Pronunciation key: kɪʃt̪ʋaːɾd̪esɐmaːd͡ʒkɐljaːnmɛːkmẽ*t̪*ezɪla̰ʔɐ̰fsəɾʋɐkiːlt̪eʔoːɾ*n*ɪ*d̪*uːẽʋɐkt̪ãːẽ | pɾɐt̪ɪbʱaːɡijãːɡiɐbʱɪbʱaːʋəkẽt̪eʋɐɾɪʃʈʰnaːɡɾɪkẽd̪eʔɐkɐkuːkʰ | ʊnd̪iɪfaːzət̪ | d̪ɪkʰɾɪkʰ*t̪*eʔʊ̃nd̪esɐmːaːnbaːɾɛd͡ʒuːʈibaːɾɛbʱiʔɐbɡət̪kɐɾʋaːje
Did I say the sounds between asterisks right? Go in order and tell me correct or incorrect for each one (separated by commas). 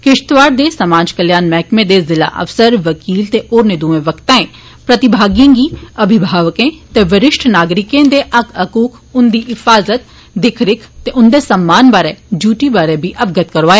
incorrect, correct, correct, correct